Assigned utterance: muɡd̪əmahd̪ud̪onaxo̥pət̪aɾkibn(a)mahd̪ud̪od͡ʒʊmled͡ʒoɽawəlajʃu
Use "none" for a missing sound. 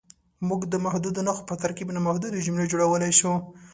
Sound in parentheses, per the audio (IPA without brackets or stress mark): a